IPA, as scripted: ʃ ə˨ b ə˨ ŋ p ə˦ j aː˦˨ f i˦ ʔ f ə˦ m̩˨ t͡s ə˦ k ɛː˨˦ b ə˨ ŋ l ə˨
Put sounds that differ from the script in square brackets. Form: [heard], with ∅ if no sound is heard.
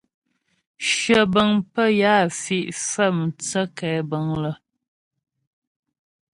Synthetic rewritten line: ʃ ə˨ b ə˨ ŋ p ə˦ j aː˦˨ f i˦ ʔ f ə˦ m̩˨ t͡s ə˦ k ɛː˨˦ b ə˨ ŋ l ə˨